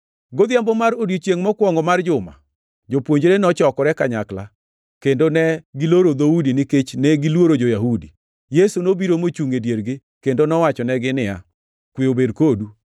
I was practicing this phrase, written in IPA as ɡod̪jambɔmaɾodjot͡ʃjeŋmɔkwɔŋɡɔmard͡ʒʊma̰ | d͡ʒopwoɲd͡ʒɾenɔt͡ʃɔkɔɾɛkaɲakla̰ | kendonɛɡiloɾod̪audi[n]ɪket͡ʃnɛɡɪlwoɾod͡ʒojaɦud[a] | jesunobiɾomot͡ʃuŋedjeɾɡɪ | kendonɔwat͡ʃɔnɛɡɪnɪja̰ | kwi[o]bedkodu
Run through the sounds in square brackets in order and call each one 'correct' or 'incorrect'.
correct, incorrect: i, correct

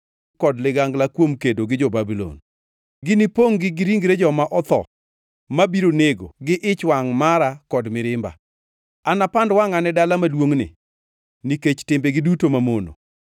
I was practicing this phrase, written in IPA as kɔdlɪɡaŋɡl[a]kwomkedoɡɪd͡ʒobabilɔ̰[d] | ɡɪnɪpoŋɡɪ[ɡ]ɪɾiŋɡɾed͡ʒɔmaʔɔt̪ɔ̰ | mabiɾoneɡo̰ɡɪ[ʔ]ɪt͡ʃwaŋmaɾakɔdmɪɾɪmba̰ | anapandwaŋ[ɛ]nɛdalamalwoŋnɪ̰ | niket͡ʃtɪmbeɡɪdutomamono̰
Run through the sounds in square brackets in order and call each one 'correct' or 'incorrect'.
correct, incorrect: n, correct, correct, incorrect: a

